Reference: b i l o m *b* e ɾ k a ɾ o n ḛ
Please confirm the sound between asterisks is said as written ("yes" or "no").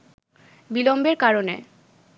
yes